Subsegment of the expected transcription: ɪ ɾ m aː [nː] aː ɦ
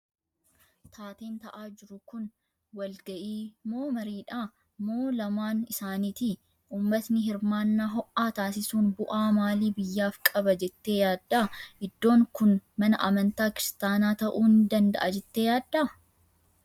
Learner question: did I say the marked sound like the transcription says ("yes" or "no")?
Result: yes